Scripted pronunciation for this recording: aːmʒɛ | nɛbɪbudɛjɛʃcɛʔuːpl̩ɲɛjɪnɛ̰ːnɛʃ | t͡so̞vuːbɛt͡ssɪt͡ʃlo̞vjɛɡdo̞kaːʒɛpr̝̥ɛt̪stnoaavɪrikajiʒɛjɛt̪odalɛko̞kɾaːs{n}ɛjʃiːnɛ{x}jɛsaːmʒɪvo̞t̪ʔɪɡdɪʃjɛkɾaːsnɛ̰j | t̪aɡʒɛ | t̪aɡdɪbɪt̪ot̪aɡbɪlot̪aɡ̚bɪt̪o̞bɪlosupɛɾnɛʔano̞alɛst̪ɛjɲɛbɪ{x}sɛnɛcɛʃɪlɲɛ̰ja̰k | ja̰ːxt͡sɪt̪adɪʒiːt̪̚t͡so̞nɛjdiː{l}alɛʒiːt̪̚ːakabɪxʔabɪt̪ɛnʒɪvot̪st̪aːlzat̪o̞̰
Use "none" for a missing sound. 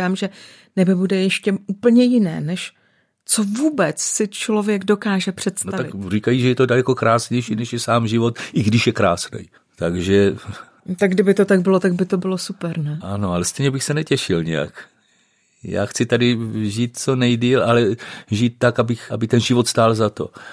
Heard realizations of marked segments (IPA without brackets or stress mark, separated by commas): ɲ, ʃ, x, l